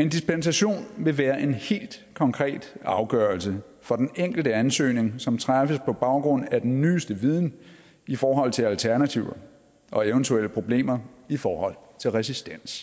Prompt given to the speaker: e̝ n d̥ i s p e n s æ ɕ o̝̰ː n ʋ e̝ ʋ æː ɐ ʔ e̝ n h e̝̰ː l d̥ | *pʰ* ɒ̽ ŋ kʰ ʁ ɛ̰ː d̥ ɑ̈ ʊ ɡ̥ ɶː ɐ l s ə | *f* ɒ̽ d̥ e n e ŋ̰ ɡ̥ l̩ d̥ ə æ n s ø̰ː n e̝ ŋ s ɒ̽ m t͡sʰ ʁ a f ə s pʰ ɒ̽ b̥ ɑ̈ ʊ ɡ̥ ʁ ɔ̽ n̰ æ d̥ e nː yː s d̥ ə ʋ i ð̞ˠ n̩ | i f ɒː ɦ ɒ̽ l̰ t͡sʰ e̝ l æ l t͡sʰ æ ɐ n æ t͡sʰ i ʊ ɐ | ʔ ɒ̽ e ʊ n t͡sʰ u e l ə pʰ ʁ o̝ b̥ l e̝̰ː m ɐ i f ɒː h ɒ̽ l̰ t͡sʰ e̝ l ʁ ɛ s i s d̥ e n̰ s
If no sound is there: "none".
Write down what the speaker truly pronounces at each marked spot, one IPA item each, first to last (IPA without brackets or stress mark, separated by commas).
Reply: kʰ, f